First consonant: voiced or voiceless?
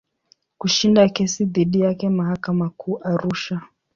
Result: voiceless